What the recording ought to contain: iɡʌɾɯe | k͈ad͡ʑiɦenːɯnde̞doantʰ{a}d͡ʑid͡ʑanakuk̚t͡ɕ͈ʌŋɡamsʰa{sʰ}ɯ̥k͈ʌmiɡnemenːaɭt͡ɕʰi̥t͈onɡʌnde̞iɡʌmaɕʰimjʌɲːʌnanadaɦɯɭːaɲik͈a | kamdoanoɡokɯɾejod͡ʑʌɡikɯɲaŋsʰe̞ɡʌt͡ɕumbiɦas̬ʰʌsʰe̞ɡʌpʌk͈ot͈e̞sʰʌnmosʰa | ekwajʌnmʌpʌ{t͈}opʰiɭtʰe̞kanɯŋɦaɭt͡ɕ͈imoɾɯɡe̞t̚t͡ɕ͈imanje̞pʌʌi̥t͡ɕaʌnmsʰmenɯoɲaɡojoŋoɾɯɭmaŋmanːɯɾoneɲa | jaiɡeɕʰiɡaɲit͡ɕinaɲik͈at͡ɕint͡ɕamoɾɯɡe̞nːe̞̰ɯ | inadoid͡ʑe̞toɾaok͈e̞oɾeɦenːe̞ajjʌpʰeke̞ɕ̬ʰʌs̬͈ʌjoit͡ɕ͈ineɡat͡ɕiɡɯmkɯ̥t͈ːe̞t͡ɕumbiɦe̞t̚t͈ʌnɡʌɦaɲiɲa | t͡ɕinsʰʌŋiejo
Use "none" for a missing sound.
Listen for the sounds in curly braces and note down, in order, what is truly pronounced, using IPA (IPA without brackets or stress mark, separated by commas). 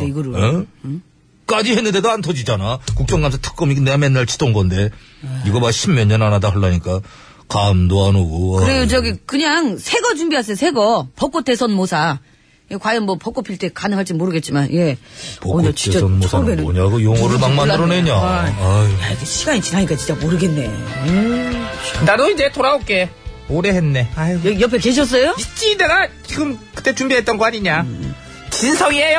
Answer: ʌ, tʰ, k͈